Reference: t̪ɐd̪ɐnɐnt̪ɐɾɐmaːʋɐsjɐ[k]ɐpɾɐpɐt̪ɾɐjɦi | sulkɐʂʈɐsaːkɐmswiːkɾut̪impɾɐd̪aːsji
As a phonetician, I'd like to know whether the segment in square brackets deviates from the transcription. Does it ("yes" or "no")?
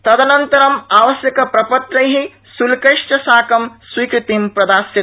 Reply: no